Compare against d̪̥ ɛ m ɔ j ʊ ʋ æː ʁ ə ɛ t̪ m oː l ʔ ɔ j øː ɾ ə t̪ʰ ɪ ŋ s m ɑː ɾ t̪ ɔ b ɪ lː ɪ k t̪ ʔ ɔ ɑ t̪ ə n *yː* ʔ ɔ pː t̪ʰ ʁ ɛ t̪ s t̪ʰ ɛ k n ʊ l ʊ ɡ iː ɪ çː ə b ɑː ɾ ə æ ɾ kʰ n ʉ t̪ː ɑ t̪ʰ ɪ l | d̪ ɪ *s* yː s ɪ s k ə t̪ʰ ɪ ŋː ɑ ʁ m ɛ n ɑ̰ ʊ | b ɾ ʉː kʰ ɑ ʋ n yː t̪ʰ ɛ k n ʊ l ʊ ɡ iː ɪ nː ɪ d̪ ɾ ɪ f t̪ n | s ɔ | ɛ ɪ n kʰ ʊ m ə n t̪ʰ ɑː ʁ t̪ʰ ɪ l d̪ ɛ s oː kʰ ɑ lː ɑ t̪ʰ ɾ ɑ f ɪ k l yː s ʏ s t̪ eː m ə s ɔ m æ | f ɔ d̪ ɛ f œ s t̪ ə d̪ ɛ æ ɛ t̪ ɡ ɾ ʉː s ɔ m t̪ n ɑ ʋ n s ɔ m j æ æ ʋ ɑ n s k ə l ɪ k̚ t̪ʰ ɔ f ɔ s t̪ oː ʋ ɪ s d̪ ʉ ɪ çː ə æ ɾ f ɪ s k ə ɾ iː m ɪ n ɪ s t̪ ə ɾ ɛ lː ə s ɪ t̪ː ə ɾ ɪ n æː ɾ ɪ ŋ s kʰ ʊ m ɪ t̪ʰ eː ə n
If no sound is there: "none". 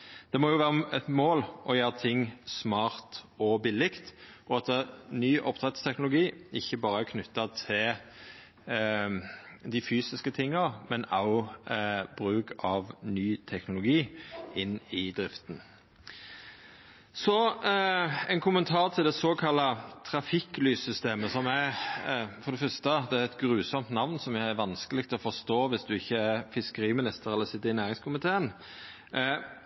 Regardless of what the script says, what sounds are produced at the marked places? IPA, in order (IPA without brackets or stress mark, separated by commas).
yː, f